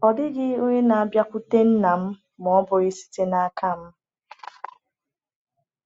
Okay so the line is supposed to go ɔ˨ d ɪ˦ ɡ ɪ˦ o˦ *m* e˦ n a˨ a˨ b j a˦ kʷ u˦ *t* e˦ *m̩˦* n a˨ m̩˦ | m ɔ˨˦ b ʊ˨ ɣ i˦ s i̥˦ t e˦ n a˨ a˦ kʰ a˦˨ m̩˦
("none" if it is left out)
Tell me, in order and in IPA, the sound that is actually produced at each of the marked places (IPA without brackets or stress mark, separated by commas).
ɲ, t, n̩˦